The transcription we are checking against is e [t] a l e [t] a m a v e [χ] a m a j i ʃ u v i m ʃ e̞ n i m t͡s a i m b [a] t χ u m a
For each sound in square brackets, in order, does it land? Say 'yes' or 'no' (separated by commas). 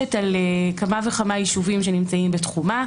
yes, no, yes, no